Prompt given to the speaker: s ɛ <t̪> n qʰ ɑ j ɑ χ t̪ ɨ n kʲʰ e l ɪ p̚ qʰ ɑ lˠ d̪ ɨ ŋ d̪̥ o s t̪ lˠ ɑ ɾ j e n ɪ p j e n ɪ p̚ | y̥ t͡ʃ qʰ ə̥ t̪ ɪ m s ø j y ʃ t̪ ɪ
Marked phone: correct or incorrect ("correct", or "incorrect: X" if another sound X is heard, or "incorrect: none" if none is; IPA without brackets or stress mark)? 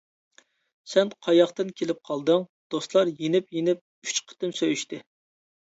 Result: incorrect: none